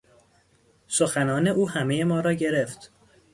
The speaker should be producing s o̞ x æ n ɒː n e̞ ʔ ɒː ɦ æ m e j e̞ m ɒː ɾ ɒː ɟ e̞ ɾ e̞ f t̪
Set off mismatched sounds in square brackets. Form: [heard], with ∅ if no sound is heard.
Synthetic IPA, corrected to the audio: s o̞ x æ n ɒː n e̞ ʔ [uː] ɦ æ m e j e̞ m ɒː ɾ ɒː ɟ e̞ ɾ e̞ f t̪